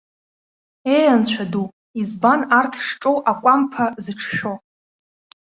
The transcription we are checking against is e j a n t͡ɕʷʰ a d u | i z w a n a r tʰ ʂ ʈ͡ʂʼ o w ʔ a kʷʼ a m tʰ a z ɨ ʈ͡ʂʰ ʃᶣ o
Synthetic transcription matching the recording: e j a n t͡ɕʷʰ a d u | i z b a n a r tʰ ʂ ʈ͡ʂʼ o w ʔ a kʷʼ a m pʰ a z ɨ ʈ͡ʂʰ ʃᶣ o